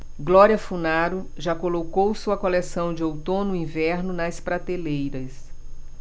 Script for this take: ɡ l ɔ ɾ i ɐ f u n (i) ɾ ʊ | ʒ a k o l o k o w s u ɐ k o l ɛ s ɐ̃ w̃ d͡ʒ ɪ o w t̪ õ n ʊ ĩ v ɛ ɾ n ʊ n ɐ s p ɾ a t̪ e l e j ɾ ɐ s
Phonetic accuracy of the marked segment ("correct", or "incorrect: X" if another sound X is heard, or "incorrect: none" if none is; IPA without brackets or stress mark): incorrect: a